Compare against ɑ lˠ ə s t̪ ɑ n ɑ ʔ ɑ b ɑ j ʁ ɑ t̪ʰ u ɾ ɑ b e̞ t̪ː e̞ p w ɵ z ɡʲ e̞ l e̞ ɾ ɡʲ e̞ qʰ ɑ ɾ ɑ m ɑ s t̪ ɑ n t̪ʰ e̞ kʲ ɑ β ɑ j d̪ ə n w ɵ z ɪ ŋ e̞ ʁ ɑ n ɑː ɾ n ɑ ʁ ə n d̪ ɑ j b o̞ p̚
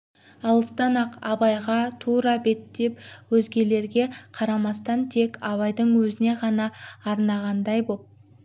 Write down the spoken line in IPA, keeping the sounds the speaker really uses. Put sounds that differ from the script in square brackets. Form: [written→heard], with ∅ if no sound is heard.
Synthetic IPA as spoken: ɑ lˠ ə s t̪ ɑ n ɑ [ʔ→q] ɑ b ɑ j ʁ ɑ t̪ʰ u ɾ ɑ b e̞ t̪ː e̞ p w ɵ z ɡʲ e̞ l e̞ ɾ ɡʲ e̞ qʰ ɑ ɾ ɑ m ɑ s t̪ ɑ n t̪ʰ e̞ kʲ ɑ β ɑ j d̪ ə [n→ɴ] w ɵ z ɪ [ŋ→n] e̞ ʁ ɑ n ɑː ɾ n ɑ ʁ [ə→ɑ] n d̪ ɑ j b o̞ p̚

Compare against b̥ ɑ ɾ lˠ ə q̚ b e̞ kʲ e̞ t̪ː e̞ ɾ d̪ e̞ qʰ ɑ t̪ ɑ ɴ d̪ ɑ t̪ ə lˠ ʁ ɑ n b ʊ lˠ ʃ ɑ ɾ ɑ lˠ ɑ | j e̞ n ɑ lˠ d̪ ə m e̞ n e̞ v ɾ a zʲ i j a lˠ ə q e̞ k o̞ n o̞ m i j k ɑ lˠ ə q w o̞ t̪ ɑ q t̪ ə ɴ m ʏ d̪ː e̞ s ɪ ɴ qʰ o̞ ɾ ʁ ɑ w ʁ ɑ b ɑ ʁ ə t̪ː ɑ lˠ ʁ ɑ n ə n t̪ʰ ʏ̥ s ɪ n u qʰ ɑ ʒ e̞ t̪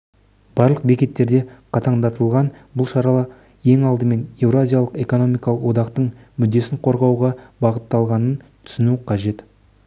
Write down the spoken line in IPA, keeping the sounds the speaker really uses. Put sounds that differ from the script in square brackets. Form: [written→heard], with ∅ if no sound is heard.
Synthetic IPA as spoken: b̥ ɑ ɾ lˠ ə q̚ b e̞ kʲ e̞ t̪ː e̞ ɾ d̪ e̞ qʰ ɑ t̪ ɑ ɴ d̪ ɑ t̪ ə lˠ ʁ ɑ n b ʊ lˠ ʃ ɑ ɾ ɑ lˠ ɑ | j e̞ [n→ŋ] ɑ lˠ d̪ ə m e̞ n e̞ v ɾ a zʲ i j a lˠ ə q e̞ k o̞ n o̞ m i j k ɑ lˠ ə q w o̞ [t̪→d̪] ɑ q t̪ ə ɴ m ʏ d̪ː e̞ s ɪ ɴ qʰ o̞ ɾ ʁ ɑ w ʁ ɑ b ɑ ʁ ə t̪ː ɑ lˠ ʁ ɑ n ə n t̪ʰ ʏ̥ s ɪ n u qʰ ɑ ʒ e̞ t̪

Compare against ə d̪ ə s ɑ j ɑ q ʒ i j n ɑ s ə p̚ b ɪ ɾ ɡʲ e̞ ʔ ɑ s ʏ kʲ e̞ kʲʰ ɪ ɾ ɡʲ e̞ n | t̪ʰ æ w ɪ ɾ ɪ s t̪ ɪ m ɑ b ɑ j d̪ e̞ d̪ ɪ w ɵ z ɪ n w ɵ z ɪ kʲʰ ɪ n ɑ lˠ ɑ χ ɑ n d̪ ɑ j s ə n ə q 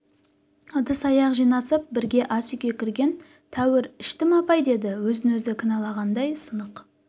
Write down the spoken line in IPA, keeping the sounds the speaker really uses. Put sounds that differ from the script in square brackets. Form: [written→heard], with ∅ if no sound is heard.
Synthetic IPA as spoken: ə d̪ ə s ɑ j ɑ q ʒ i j n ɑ s ə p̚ b ɪ ɾ ɡʲ e̞ ʔ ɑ s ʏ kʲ e̞ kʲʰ ɪ ɾ ɡʲ e̞ n | t̪ʰ æ w ɪ ɾ ɪ [s→ʃ] t̪ ɪ m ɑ [b→p] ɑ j d̪ e̞ d̪ ɪ w ɵ z ɪ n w ɵ z ɪ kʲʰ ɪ n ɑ lˠ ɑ [χ→ʁ] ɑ n d̪ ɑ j s ə n ə q

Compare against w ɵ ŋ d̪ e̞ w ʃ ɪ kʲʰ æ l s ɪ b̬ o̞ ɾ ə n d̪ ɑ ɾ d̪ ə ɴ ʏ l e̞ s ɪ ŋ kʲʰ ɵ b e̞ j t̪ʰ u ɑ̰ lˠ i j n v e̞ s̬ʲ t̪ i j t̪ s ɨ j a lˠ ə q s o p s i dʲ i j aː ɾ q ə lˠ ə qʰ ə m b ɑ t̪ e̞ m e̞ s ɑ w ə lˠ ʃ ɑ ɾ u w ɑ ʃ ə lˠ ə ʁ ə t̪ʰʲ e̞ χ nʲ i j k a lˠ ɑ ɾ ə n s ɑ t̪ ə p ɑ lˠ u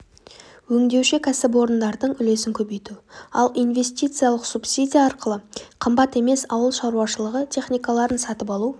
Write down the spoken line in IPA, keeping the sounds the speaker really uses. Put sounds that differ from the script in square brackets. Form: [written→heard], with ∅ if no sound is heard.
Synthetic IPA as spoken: w ɵ ŋ d̪ e̞ w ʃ ɪ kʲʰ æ [l→∅] s ɪ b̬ o̞ ɾ ə n d̪ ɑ ɾ d̪ ə ɴ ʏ l e̞ s ɪ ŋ kʲʰ ɵ b e̞ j [t̪ʰ→t̪] u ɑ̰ lˠ i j n v e̞ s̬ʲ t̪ i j t̪ s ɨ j a lˠ ə q s [o→u] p s i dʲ i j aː ɾ q ə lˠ ə qʰ ə m b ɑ t̪ e̞ m e̞ s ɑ w ə lˠ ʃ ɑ ɾ u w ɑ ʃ ə lˠ ə ʁ ə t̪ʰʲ e̞ χ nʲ i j k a lˠ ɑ ɾ ə n s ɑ t̪ ə p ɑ lˠ u

